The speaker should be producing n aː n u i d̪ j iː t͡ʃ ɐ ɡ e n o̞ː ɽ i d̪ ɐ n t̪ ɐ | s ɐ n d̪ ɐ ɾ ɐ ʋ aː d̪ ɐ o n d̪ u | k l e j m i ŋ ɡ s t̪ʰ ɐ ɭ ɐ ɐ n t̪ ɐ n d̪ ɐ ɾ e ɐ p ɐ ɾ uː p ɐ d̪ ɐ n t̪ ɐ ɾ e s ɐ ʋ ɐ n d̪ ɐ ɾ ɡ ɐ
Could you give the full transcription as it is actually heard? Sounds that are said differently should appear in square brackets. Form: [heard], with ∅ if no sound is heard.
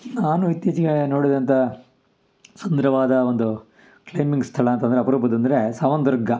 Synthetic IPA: n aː n u i [t̪] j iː t͡ʃ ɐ ɡ e n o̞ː ɽ i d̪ ɐ n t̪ ɐ | s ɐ n d̪ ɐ ɾ ɐ ʋ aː d̪ ɐ o n d̪ u | k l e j m i ŋ ɡ s t̪ʰ ɐ ɭ ɐ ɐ n t̪ ɐ n d̪ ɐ ɾ e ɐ p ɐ ɾ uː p ɐ d̪ ɐ n [d̪] ɐ ɾ e s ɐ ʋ ɐ n d̪ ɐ ɾ ɡ ɐ